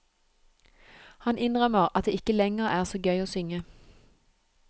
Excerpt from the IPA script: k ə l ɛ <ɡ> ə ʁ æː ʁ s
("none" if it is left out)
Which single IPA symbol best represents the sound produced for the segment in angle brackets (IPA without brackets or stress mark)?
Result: ŋ